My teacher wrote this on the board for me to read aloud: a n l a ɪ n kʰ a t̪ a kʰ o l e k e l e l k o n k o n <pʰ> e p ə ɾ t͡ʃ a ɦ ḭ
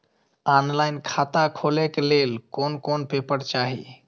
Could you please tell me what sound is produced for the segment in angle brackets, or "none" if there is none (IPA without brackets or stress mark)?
p